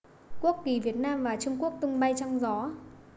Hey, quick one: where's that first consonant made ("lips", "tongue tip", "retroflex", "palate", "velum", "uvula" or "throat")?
velum